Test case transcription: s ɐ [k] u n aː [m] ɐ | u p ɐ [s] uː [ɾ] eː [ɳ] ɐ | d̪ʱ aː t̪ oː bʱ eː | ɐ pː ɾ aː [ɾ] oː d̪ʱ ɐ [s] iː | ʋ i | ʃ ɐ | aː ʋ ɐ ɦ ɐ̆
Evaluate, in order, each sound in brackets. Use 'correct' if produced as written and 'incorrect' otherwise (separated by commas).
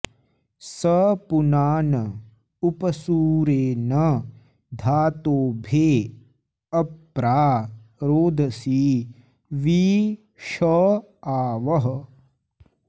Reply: incorrect, incorrect, correct, correct, incorrect, correct, correct